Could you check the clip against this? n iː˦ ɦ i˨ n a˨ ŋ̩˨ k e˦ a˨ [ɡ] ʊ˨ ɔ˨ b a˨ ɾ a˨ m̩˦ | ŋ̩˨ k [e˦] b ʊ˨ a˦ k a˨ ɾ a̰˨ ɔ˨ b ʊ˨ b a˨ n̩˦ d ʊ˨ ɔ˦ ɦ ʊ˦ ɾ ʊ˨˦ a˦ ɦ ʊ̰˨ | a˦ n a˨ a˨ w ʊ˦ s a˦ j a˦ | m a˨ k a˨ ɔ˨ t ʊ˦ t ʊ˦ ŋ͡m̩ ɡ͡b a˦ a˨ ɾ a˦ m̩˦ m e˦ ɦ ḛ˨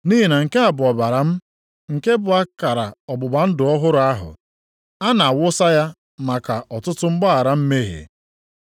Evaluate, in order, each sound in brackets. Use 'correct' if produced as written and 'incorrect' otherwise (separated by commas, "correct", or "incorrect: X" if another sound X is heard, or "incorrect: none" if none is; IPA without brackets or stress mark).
incorrect: b, correct